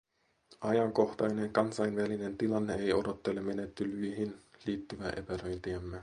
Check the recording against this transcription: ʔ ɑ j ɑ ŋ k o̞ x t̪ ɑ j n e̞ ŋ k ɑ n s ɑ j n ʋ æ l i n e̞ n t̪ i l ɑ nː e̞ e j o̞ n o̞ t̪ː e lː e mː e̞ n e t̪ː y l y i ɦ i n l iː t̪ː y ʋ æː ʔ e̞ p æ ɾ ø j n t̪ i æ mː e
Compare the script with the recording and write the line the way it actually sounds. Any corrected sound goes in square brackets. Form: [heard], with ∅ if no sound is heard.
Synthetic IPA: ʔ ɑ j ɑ ŋ k o̞ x t̪ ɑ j n e̞ ŋ k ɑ n s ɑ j n ʋ æ l i n e̞ n t̪ i l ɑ nː e̞ e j o̞ [d] o̞ t̪ː e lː e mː e̞ n e t̪ː y l y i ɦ i n l iː t̪ː y ʋ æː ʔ e̞ p æ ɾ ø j n t̪ i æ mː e